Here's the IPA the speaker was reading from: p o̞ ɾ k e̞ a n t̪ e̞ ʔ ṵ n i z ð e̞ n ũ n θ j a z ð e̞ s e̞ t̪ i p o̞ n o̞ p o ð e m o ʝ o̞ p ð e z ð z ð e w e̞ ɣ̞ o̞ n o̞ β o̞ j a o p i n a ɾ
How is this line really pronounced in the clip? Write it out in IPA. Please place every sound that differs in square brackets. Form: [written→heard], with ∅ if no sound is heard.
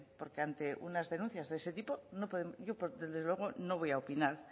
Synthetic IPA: p o̞ ɾ k e̞ a n t̪ e̞ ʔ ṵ n [i→a] z ð e̞ n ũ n θ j a z ð e̞ s e̞ t̪ i p o̞ n o̞ p o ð e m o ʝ o̞ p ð e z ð z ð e w e̞ ɣ̞ o̞ n o̞ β o̞ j a o p i n a ɾ